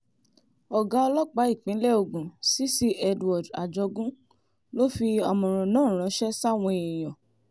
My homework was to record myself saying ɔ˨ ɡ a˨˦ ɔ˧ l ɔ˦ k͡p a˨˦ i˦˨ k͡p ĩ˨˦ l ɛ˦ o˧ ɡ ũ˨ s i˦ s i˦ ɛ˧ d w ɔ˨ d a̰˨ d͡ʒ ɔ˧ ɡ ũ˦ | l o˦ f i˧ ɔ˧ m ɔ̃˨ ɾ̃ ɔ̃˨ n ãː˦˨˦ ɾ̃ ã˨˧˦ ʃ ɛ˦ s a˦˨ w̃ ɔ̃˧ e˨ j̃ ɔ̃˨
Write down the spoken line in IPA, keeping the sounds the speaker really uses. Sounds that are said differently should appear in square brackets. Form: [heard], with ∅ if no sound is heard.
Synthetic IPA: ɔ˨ ɡ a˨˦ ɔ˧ l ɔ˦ k͡p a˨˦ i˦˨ k͡p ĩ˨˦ l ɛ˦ o˧ ɡ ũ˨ s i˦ s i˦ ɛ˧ d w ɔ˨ d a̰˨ d͡ʒ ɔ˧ ɡ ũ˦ | l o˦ f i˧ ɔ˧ m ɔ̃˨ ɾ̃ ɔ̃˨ n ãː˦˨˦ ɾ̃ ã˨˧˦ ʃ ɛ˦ s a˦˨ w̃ ɔ̃˧ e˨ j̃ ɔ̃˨

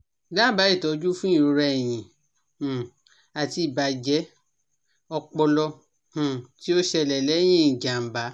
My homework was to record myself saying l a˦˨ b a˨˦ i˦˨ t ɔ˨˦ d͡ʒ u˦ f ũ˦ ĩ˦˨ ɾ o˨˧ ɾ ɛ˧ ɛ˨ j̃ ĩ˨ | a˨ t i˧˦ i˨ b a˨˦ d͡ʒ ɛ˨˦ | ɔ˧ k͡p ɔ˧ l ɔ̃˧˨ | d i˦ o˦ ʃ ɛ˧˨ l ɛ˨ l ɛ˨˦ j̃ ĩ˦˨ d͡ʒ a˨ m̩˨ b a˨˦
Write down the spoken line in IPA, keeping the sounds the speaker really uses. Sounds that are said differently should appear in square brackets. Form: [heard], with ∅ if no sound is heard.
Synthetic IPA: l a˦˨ b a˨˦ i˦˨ t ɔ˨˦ d͡ʒ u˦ f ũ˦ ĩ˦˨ ɾ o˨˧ ɾ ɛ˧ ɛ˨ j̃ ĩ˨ | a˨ t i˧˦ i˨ b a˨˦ d͡ʒ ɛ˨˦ | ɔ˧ k͡p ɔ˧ l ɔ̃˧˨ | [t] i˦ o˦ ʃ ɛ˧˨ l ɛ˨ l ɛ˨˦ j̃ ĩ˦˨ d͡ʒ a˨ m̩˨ b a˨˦

